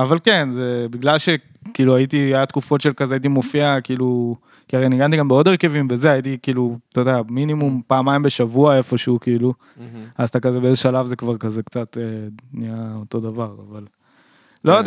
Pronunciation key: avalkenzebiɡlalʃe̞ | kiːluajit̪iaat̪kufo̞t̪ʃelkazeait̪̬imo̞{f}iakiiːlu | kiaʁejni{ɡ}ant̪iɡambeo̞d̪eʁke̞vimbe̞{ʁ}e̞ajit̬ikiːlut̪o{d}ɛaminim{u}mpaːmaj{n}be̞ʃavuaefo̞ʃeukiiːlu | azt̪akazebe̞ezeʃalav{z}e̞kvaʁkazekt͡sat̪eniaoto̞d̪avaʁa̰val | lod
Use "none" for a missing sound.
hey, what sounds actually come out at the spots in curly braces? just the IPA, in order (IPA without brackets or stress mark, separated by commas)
f, ɡ, z, d, u, m, z